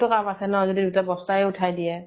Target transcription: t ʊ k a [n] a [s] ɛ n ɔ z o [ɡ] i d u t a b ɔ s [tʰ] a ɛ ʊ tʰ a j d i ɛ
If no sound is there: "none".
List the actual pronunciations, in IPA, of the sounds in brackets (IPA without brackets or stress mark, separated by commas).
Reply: m, s, d, t